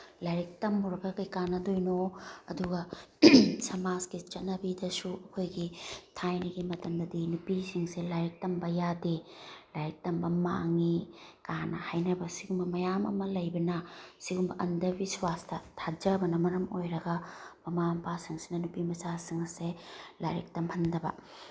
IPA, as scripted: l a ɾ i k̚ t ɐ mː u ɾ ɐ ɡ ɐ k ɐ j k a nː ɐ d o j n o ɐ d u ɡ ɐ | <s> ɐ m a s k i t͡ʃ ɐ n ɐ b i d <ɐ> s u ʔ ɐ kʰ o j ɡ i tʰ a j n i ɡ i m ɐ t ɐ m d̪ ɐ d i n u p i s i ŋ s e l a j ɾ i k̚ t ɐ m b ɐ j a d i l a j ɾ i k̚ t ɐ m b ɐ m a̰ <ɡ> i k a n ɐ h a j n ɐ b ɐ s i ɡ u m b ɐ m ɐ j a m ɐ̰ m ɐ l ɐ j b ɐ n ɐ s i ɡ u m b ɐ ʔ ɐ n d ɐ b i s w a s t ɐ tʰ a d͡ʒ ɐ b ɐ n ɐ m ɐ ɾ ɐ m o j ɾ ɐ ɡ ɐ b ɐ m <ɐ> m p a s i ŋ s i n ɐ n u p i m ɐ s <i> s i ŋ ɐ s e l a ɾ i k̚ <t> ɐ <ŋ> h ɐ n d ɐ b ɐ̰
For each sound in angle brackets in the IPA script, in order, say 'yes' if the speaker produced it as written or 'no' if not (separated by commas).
yes, yes, no, no, no, yes, no